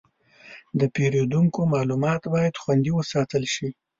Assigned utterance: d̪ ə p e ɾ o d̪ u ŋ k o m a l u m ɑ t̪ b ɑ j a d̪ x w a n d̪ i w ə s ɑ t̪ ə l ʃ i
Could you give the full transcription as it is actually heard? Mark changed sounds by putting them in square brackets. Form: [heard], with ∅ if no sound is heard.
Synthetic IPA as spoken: d̪ ə p e ɾ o d̪ u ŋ k o m [ɑ] l u m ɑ t̪ b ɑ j a d̪ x w a n d̪ i w ə s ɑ t̪ ə l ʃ i